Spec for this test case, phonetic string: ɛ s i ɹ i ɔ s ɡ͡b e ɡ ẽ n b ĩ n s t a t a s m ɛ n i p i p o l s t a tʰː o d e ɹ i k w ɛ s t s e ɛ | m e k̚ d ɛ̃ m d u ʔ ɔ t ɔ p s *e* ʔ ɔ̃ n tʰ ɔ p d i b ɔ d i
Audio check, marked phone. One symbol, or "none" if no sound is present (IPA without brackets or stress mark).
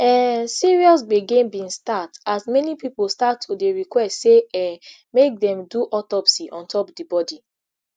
i